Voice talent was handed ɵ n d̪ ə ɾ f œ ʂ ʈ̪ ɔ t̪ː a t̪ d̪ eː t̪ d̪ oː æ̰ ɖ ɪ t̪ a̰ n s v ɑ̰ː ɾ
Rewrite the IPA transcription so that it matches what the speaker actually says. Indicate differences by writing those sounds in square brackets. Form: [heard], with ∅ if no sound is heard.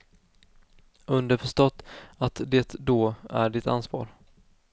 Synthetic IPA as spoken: ɵ n d̪ ə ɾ f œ ʂ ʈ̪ ɔ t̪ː a t̪ d̪ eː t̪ d̪ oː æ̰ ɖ ɪ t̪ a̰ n s v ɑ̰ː ɾ